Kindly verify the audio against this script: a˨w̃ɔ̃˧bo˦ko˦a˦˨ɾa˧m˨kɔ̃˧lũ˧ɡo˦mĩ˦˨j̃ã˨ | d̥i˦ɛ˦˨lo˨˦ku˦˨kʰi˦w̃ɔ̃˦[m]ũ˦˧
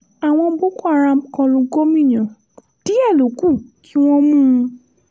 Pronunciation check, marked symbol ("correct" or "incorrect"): correct